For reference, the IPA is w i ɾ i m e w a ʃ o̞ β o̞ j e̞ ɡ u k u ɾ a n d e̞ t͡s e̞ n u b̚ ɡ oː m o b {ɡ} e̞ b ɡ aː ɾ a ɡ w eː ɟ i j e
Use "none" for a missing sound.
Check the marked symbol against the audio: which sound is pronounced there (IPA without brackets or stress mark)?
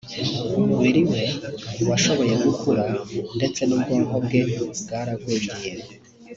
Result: ɡ